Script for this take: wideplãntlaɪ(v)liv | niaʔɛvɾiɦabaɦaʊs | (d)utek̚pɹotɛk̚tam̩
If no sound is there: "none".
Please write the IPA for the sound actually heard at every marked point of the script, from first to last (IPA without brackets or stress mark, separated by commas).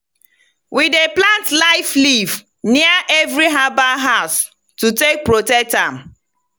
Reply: f, t